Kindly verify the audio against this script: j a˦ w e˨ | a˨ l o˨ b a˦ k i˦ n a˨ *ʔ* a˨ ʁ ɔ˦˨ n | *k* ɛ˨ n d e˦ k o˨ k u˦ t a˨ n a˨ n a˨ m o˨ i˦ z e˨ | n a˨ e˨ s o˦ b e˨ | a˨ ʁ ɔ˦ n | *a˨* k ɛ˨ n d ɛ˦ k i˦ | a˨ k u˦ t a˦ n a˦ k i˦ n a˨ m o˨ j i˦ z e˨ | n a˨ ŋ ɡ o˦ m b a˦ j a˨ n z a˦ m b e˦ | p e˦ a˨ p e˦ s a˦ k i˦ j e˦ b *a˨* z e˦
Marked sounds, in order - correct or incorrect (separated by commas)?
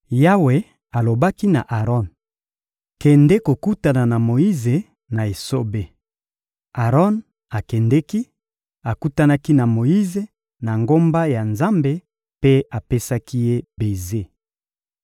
correct, correct, correct, incorrect